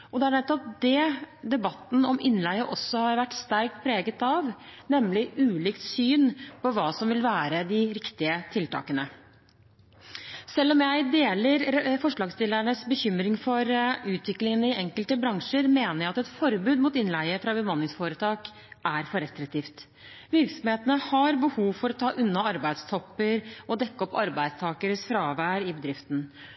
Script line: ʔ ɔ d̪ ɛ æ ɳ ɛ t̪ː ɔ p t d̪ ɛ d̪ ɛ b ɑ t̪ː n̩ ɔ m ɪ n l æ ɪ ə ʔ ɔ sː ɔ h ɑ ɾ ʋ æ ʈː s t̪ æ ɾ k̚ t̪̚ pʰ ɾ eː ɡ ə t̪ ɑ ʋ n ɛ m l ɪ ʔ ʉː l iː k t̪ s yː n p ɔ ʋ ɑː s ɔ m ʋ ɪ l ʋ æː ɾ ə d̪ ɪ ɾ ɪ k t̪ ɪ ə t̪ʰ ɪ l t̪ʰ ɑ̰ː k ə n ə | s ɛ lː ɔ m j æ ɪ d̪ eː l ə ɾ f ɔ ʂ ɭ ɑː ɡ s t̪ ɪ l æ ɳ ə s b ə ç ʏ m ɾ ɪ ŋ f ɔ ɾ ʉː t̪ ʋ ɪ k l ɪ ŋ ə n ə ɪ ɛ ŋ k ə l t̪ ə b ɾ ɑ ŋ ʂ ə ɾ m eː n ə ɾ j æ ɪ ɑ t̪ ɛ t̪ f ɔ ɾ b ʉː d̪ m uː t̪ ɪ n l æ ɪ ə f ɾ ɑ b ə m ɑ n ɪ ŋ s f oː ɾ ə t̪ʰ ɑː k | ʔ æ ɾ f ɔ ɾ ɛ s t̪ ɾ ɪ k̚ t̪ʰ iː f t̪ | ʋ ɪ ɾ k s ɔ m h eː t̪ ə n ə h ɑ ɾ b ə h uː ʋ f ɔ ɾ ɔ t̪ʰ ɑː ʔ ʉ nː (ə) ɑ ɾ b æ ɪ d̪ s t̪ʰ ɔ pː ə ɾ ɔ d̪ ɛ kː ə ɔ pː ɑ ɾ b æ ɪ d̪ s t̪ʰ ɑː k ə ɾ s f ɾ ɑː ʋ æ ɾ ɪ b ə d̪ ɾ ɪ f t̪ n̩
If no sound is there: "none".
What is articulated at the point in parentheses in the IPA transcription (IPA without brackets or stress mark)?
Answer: ɑ